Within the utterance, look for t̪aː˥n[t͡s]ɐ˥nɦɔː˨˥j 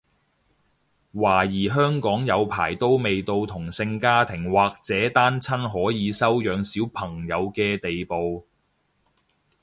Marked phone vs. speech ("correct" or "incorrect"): incorrect